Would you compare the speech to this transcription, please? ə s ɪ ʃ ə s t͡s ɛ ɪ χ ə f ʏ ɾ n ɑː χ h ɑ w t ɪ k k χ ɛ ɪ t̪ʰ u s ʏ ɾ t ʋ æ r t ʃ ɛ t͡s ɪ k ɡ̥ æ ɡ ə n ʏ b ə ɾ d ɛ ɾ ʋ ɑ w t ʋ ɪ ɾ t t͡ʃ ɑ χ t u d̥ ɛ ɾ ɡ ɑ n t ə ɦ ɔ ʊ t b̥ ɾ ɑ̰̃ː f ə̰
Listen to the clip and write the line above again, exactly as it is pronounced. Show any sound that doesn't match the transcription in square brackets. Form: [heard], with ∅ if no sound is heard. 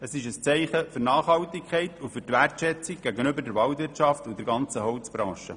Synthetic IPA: ə s ɪ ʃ ə s t͡s ɛ ɪ χ ə f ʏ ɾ n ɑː χ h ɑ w t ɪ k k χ ɛ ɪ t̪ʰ u [f] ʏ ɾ t ʋ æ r t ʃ ɛ t͡s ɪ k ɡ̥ æ ɡ ə n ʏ b ə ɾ d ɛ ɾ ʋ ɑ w t ʋ ɪ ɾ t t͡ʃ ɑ [f] t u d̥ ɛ ɾ ɡ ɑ n [t͡s] ə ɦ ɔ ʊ [t͡s] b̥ ɾ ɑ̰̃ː [ʃ] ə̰